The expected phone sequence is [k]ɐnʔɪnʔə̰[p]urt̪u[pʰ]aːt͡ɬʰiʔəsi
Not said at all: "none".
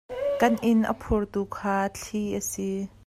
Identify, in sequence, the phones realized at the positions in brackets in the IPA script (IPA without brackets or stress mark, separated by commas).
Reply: k, pʰ, kʰ